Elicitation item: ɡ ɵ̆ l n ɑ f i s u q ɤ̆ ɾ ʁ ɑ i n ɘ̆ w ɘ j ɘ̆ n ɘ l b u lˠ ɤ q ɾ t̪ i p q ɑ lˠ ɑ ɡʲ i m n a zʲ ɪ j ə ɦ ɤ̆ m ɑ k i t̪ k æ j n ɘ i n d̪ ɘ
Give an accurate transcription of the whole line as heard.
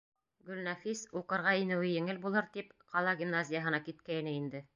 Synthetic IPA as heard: ɡ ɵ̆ l n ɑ f i s u q ɤ̆ ɾ ʁ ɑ i n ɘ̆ w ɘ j ɘ̆ ŋ ɘ l b u lˠ ɤ ɾ t̪ i p q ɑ lˠ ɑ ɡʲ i m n a zʲ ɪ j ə ɦ ɤ̆ n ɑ k i t̪ k æ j n ɘ i n d̪ ɘ